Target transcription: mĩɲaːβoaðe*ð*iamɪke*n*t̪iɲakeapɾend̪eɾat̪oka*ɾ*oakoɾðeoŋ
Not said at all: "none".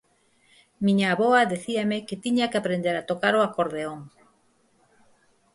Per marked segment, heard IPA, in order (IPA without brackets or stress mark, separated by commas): θ, none, ɾ